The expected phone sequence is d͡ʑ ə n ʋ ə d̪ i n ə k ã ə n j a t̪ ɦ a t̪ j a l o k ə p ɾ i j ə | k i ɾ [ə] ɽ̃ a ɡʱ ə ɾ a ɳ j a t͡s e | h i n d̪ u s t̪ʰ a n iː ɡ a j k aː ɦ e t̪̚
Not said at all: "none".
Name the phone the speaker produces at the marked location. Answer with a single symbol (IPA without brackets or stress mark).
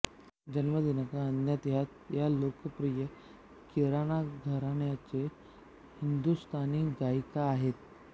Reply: a